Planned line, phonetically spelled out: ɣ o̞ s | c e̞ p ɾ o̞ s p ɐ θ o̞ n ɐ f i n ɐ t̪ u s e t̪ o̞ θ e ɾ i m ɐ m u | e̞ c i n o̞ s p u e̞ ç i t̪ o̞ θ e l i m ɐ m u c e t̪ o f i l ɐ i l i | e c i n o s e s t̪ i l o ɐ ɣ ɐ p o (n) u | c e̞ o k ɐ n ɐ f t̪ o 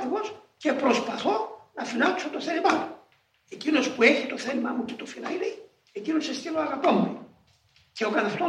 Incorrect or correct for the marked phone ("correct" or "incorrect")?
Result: incorrect